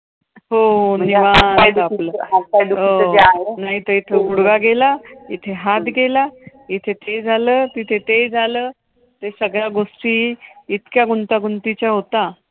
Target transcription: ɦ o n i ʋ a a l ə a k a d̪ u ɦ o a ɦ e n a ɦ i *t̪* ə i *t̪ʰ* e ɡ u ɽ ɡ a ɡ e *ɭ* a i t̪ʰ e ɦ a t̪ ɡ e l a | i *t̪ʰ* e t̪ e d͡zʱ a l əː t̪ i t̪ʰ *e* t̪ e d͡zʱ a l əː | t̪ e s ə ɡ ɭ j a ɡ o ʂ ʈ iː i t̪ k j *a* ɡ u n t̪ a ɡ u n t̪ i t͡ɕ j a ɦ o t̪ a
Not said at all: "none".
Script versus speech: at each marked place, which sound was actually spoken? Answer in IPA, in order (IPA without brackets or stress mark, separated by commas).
t̪, t̪ʰ, l, t̪ʰ, e, a